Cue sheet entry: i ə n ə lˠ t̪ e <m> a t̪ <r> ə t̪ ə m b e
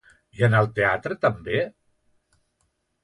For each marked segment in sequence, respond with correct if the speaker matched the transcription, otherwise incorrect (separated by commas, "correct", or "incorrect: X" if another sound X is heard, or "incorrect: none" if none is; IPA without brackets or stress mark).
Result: incorrect: none, incorrect: ɾ